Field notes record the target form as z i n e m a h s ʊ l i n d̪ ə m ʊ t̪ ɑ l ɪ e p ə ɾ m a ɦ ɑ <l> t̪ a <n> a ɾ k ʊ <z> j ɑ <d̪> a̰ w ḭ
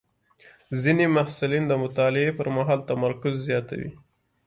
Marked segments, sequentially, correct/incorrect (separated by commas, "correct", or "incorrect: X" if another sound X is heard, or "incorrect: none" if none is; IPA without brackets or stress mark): correct, incorrect: m, incorrect: zː, incorrect: t̪